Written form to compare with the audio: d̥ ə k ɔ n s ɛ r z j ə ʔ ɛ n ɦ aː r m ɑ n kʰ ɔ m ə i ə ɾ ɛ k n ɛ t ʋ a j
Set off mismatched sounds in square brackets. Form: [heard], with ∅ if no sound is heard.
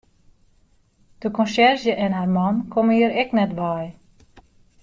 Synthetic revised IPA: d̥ ə k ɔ n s ɛ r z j ə ʔ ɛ n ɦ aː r m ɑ n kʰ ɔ m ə i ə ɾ ɛ k n ɛ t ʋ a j